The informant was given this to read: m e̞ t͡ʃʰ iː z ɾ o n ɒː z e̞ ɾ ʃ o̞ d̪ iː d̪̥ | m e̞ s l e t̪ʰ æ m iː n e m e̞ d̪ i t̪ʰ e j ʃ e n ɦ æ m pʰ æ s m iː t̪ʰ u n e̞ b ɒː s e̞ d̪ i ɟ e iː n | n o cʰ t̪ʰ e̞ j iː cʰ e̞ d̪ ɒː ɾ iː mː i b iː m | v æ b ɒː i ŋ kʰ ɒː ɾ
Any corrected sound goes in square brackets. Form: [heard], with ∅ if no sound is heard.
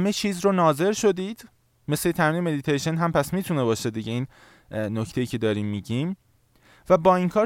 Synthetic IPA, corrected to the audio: m e̞ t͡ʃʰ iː z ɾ o n ɒː z e̞ ɾ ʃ o̞ d̪ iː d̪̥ | m e̞ s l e t̪ʰ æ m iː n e m e̞ d̪ i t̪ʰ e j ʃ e n ɦ æ m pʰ æ s m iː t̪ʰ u n e̞ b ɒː [ʃ] e̞ d̪ i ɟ e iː n | n o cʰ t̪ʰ e̞ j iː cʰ e̞ d̪ ɒː ɾ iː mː i [ɟ] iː m | v æ b ɒː i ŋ kʰ ɒː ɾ